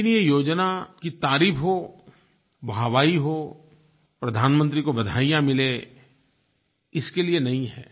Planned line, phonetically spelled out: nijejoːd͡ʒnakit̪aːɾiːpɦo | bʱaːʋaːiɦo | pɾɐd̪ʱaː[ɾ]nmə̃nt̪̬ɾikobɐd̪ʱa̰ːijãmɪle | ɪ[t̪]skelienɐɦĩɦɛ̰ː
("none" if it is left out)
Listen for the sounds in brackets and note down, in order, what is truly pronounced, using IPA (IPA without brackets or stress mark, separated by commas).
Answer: none, none